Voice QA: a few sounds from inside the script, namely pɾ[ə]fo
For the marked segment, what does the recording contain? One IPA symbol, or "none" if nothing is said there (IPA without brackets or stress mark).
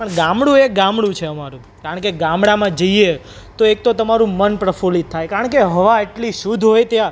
ə